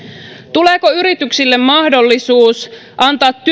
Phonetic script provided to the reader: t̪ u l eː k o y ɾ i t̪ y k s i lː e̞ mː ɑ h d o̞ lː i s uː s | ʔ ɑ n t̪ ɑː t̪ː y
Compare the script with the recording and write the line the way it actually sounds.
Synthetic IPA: t̪ u l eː k o y ɾ i t̪ y k s i lː e̞ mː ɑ h d o̞ lː i s uː s | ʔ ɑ n t̪ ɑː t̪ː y